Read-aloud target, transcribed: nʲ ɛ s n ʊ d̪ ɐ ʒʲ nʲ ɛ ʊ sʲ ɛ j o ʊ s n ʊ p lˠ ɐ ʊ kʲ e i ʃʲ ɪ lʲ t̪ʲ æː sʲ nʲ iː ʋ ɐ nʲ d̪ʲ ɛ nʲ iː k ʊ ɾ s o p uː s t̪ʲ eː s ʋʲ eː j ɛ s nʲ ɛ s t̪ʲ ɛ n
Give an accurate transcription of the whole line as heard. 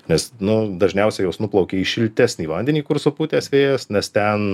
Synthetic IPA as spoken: nʲ ɛ s n ʊ d̪ ɐ ʒʲ nʲ ɛ ʊ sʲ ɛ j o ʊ s n ʊ p lˠ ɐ ʊ kʲ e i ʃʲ ɪ lʲ t̪ʲ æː sʲ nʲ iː ʋ ɐ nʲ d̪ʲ ɛ nʲ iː k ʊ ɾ s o p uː t̪ʲ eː s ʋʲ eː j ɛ s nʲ ɛ s t̪ʲ ɛ n